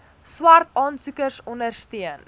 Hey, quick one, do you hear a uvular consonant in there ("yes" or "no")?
no